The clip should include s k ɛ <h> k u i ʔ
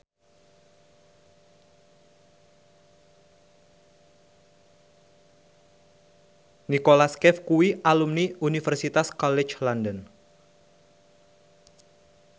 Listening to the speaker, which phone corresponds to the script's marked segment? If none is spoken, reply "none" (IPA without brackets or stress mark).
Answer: f